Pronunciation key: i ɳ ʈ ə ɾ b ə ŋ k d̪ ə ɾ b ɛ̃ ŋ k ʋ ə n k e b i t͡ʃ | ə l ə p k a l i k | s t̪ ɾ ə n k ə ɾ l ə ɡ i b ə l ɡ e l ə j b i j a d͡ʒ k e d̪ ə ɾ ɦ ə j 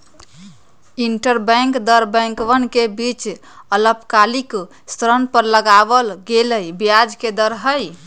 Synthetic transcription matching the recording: i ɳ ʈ ə ɾ b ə ŋ k d̪ ə ɾ b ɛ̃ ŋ k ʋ ə n k e b i t͡ʃ | ə l ə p k a l i k | s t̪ ɾ ə n p ə ɾ l ə ɡ a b ə l ɡ e l ə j b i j a d͡ʒ k e d̪ ə ɾ ɦ ə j